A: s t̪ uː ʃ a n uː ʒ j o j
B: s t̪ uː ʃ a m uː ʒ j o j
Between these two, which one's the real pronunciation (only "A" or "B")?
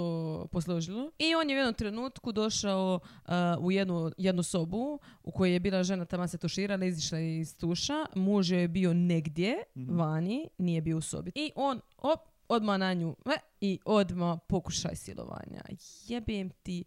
B